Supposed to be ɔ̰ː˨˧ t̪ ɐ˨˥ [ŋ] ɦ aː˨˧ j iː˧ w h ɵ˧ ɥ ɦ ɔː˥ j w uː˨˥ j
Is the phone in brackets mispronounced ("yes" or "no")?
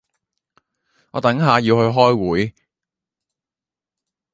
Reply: no